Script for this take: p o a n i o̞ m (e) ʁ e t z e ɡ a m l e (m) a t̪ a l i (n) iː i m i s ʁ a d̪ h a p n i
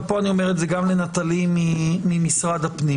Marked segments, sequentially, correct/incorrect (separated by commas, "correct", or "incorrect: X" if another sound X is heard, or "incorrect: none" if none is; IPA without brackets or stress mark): correct, incorrect: n, incorrect: m